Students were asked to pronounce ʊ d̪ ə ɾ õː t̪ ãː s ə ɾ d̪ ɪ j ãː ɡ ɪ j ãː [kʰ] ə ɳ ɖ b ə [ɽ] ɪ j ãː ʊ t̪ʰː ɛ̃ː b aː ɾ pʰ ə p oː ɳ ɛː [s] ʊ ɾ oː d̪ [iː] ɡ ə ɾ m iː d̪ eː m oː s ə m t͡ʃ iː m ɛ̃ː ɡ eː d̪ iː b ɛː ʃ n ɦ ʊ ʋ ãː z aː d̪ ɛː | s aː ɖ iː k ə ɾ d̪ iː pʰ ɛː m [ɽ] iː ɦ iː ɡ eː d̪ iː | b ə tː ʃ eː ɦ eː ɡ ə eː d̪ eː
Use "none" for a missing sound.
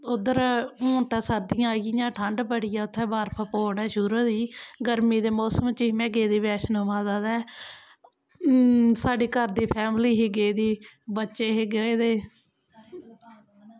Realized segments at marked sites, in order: ʈʰ, ɽ, ʃ, iː, l

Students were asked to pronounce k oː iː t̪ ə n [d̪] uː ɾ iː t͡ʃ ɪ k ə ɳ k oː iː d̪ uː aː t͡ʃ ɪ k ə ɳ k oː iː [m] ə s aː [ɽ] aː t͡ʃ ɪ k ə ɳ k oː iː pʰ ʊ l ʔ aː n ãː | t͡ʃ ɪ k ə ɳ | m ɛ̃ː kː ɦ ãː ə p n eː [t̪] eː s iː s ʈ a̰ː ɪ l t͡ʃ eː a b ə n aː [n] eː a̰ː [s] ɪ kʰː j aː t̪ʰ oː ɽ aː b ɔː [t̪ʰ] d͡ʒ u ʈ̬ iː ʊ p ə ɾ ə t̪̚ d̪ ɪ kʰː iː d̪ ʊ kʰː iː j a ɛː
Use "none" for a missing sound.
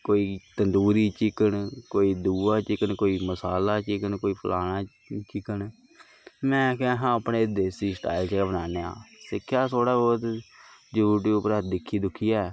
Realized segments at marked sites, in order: d̪, m, l, d̪, n, s, t̪

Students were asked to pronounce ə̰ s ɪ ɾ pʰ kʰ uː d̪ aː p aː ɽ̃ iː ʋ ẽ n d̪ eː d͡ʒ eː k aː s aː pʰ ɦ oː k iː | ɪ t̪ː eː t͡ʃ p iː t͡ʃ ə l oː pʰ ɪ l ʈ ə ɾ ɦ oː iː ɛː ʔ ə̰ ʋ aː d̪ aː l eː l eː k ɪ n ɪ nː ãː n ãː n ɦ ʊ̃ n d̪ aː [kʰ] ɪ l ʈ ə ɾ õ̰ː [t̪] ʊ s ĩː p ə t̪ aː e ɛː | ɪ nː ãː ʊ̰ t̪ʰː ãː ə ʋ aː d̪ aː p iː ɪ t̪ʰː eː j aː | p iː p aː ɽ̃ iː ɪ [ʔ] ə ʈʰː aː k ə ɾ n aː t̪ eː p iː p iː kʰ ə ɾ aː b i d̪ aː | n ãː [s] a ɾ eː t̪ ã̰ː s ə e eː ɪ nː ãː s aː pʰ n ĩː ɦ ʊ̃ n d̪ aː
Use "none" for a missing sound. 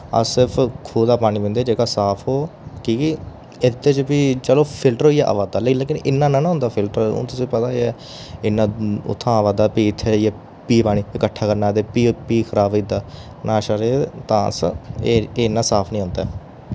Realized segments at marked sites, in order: pʰ, t̪, k, ʃ

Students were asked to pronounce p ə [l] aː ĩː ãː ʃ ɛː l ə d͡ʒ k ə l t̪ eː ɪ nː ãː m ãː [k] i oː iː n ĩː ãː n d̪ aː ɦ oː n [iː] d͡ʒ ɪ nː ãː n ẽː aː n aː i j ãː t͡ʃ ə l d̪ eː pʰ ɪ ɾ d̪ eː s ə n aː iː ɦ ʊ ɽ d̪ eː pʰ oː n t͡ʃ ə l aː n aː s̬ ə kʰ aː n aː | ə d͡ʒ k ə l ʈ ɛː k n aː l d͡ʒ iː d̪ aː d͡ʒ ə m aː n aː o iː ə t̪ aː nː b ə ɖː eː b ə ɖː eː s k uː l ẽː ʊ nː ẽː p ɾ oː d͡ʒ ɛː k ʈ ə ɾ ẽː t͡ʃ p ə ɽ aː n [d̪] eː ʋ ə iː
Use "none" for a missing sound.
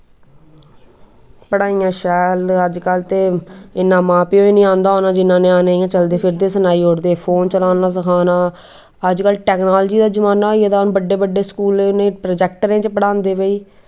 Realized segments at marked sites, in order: ɽ, p, aː, d̪

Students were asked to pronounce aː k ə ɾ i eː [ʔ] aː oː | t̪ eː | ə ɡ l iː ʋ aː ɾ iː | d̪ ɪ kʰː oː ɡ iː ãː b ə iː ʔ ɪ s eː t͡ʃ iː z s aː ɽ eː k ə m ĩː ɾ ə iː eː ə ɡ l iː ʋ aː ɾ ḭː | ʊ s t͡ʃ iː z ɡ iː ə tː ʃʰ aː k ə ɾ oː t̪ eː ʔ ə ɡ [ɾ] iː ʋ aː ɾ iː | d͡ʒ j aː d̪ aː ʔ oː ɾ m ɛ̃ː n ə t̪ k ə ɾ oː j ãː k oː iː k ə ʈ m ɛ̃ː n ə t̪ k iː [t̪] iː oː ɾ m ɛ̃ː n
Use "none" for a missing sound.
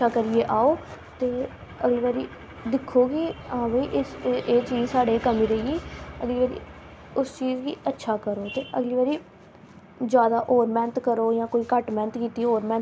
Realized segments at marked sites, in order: ʔ, l, t̪

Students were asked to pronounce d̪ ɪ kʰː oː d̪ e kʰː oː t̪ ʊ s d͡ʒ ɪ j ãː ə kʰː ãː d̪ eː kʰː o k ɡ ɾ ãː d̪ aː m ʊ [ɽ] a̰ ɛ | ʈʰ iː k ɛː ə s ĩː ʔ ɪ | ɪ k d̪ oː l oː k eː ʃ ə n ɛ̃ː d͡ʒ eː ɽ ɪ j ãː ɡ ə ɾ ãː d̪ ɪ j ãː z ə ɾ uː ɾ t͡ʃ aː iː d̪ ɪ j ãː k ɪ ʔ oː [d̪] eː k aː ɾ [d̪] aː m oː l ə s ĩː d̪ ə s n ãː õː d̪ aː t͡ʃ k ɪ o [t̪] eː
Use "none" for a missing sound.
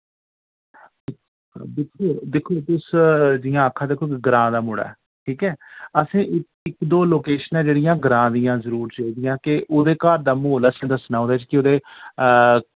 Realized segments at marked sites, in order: ɽ, d̪, d̪, d̪

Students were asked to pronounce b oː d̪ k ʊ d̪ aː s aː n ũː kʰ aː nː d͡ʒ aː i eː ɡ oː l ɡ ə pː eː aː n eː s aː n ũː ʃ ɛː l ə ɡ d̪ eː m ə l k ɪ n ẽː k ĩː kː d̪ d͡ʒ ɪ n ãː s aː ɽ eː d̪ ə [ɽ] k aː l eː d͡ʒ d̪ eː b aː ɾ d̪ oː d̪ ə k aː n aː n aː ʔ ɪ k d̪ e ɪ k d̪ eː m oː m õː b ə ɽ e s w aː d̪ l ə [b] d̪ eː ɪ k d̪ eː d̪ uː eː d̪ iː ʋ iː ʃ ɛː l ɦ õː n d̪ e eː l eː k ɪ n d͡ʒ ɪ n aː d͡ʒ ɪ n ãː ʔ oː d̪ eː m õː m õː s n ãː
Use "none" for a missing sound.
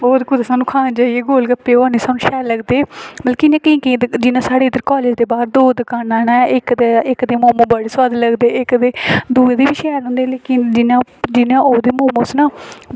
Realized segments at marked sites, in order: ɾ, ɡ

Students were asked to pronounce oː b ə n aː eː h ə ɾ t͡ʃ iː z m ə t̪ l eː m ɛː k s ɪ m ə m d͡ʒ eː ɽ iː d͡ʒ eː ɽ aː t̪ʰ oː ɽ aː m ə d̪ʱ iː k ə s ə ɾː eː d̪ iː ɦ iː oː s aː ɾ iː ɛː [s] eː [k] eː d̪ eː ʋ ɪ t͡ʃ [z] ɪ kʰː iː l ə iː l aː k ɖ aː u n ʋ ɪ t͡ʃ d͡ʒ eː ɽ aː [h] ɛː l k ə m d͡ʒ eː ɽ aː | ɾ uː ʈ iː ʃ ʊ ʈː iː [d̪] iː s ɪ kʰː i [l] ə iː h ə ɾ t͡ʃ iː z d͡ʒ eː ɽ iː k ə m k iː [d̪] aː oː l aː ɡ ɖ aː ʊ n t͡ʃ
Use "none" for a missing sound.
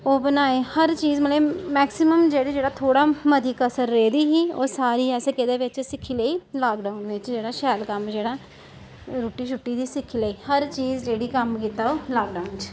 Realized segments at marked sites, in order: s, k, s, ʃ, d̪, l, t̪

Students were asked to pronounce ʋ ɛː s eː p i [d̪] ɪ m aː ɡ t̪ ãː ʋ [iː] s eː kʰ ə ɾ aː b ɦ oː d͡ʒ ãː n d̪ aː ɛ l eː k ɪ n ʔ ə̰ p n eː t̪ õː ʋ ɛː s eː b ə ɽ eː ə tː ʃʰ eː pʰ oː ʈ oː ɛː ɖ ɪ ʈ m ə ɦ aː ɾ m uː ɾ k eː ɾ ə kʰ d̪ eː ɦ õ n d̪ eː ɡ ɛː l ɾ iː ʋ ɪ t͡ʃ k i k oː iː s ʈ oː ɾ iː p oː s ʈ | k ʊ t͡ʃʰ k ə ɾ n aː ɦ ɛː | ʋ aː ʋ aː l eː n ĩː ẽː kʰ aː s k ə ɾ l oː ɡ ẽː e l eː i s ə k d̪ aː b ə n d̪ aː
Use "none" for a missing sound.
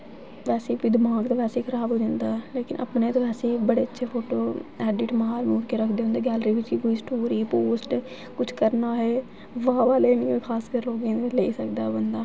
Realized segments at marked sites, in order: d̪, ɛː

